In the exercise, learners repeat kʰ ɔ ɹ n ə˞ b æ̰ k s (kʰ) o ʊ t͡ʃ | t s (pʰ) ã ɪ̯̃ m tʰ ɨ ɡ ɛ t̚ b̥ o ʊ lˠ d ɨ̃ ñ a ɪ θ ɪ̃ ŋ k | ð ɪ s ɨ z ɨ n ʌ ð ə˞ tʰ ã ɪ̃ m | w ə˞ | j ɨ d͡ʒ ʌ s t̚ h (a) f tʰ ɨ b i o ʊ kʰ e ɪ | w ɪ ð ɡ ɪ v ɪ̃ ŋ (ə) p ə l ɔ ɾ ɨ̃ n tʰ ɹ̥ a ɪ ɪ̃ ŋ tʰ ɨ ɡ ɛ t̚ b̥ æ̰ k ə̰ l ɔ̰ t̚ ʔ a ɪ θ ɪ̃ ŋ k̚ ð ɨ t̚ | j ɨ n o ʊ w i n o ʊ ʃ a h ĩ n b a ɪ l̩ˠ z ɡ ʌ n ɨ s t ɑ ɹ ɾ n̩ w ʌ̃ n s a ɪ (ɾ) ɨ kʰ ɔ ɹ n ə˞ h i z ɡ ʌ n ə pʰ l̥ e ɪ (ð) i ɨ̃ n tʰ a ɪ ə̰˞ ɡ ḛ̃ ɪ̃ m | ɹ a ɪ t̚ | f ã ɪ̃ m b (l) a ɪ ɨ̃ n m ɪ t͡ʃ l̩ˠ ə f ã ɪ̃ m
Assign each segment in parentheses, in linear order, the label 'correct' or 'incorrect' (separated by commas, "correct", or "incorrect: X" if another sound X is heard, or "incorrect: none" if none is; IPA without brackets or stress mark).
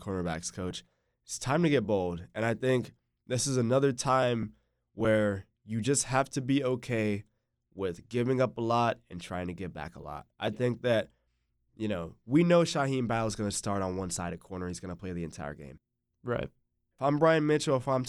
correct, incorrect: tʰ, incorrect: æ, incorrect: ʌ, correct, correct, incorrect: ɹ